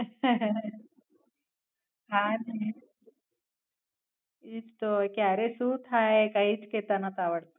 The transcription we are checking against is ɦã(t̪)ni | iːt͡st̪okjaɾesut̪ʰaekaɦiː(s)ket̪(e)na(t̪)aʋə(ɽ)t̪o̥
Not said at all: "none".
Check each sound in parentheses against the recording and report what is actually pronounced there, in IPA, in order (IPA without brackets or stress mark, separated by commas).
none, t͡s, a, t̪, ɽ